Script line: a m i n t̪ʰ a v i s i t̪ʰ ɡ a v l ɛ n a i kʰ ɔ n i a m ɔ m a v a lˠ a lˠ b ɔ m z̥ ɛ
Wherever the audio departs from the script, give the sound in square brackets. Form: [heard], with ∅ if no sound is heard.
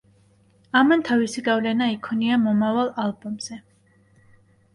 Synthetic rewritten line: a m [a] n t̪ʰ a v i s i [∅] ɡ a v l ɛ n a i kʰ ɔ n i a m ɔ m a v a lˠ a lˠ b ɔ m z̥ ɛ